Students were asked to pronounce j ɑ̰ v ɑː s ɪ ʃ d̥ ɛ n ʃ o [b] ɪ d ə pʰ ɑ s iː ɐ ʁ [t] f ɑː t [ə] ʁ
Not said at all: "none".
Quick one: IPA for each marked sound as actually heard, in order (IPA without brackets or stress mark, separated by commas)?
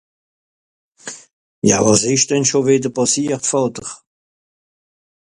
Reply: v, t, ə